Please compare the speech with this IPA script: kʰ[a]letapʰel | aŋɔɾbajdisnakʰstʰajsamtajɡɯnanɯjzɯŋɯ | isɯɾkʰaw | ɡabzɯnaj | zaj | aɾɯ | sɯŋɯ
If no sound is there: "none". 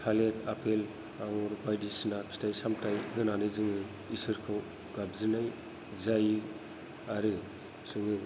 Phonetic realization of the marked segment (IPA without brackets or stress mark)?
a